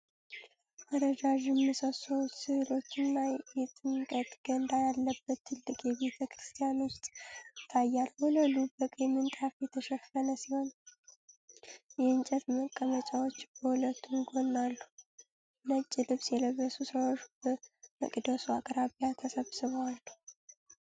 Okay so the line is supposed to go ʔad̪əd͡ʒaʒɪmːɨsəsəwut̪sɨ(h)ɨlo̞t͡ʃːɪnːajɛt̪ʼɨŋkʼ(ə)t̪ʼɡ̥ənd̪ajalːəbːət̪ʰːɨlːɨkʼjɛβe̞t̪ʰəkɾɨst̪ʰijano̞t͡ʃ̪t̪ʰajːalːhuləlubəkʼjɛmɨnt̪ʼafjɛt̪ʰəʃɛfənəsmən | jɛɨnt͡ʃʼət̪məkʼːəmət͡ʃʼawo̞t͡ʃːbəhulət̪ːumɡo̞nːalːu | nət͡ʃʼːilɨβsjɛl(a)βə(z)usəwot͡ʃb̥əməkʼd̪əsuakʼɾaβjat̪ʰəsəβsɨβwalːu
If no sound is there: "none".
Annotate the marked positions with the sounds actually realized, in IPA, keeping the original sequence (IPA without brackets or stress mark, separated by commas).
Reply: h, ə, ə, s